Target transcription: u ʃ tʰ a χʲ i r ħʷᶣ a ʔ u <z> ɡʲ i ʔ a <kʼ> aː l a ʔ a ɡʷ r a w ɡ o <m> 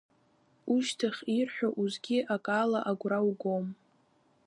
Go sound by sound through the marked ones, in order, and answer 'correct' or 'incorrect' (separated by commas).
correct, correct, correct